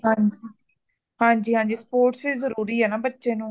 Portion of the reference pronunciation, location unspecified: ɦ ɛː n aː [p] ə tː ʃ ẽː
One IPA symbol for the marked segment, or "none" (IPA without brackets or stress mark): b